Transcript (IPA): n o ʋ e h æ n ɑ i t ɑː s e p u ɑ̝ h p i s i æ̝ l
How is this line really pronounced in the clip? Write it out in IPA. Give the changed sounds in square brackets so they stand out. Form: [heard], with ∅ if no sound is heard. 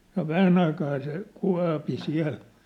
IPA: n o ʋ [æ] h æ n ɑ i [k] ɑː s e [k] u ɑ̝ [∅] p i s i æ̝ l